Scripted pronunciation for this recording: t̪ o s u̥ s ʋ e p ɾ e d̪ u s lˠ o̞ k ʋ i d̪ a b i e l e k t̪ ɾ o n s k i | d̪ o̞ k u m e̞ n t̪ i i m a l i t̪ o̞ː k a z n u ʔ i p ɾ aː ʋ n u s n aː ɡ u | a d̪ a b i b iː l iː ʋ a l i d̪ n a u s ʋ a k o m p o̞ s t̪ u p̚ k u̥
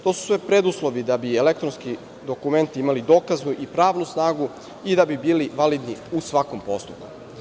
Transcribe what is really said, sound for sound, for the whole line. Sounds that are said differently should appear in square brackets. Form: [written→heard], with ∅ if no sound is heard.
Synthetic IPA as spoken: t̪ o s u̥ s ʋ e p ɾ e d̪ u s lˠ o̞ [k→∅] ʋ i d̪ a b i e l e k t̪ ɾ o n s k i | d̪ o̞ k u m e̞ n t̪ i i m a l i [t̪→d̪] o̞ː k a z n u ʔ i p ɾ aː ʋ n u s n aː ɡ u | [a→i] d̪ a b i b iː l [iː→i] ʋ a l i d̪ n [a→i] u s ʋ a k o m p o̞ s t̪ u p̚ k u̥